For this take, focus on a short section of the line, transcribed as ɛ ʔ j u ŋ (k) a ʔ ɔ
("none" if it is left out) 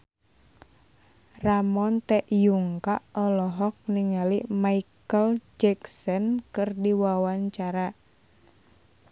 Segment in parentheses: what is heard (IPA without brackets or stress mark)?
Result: k